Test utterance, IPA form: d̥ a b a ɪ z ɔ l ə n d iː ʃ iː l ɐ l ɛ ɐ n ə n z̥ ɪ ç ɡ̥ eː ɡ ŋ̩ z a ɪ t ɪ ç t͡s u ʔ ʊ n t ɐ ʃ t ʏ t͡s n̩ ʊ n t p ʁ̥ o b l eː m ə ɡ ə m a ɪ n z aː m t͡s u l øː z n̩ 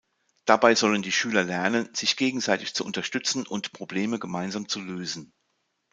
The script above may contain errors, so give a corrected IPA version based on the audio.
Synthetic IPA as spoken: d̥ a b a ɪ z ɔ l ə n d iː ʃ yː l ɐ l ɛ ɐ n ə n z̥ ɪ ç ɡ̥ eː ɡ ŋ̩ z a ɪ t ɪ ç t͡s u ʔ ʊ n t ɐ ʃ t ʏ t͡s n̩ ʊ n t p ʁ̥ o b l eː m ə ɡ ə m a ɪ n z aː m t͡s u l øː z n̩